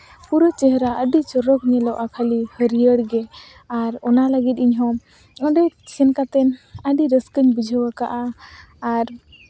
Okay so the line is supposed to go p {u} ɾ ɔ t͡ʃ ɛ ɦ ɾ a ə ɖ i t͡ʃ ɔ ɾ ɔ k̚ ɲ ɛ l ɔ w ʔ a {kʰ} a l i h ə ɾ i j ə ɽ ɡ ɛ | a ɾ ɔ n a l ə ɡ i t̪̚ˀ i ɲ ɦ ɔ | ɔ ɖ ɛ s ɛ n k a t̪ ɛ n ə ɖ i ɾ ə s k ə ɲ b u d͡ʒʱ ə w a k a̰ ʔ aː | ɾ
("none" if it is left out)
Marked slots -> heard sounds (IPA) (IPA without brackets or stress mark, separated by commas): u, kʰ